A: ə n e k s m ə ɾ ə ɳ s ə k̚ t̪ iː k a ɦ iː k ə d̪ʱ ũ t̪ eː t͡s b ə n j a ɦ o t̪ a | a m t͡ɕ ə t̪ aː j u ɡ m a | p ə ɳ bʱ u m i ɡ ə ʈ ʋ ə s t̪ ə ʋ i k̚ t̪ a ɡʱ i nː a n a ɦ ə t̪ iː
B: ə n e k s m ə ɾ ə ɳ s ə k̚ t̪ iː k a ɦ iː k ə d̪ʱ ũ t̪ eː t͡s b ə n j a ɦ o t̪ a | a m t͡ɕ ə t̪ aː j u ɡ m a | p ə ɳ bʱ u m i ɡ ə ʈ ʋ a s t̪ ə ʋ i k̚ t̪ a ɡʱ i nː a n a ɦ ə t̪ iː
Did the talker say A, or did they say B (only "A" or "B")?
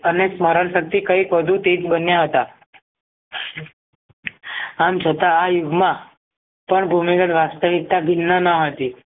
B